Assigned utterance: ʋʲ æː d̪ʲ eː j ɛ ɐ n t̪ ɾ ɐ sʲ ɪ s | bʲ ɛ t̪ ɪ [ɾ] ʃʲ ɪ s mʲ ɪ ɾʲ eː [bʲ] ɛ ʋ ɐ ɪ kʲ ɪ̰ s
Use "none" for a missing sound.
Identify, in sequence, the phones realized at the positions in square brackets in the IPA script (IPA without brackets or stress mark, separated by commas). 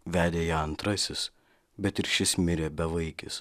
ɾ, bʲ